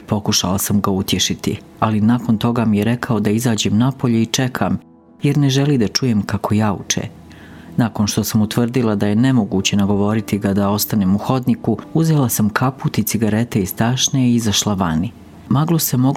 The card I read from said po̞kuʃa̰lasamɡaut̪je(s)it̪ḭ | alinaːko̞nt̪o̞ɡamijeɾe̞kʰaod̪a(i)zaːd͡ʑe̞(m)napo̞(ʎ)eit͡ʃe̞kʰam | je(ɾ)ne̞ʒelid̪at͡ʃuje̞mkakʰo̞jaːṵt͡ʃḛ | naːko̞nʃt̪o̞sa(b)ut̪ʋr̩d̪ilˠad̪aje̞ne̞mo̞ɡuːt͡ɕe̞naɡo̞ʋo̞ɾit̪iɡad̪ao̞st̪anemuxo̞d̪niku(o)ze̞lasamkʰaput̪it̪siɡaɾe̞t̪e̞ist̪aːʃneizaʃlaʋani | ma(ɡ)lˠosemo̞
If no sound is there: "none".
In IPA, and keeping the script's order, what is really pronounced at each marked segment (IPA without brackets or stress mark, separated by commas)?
ʃ, i, m, ʎ, ɾ, m, u, ɡ